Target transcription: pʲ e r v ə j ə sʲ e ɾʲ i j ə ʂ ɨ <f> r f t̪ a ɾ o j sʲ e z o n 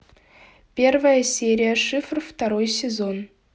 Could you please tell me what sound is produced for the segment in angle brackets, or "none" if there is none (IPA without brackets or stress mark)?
f